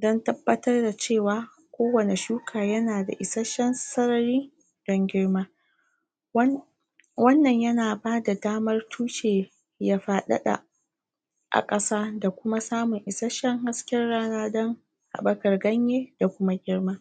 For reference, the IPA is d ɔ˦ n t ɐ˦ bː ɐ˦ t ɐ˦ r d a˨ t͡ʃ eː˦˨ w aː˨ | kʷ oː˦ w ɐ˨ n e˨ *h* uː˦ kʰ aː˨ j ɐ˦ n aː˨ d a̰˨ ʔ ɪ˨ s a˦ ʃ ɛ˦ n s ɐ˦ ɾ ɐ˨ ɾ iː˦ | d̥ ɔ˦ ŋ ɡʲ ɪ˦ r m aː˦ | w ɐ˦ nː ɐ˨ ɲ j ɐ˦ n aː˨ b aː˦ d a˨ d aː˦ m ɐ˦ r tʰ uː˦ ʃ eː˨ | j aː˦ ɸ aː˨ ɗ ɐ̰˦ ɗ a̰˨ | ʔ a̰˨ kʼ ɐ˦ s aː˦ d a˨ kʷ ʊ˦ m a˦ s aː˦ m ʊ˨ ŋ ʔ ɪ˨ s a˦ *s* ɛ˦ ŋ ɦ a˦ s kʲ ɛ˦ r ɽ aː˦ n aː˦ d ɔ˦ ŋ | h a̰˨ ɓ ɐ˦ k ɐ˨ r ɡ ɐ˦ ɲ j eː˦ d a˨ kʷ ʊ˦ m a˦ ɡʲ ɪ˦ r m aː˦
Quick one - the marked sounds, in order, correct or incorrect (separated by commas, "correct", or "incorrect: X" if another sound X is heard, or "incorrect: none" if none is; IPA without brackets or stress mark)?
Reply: incorrect: ʃ, incorrect: ʃ